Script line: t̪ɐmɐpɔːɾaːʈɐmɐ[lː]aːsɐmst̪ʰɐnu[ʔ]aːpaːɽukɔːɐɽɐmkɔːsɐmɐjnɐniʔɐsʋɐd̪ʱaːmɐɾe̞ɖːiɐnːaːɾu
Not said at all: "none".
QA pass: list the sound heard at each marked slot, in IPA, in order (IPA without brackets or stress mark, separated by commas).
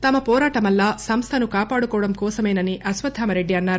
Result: lː, k